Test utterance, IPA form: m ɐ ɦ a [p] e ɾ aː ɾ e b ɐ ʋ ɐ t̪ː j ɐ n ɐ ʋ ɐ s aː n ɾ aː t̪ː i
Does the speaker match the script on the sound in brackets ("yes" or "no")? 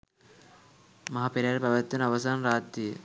yes